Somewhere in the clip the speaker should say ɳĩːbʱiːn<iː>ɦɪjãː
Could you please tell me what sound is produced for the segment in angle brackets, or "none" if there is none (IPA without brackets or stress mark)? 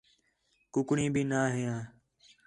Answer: aː